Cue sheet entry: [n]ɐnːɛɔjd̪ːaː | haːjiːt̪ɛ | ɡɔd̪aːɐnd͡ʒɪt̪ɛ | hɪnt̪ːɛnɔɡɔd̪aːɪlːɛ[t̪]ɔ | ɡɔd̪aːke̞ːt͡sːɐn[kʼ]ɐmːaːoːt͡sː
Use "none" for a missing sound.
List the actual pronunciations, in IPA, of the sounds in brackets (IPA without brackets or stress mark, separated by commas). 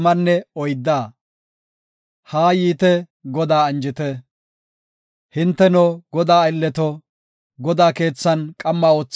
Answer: m, t̪, kʼ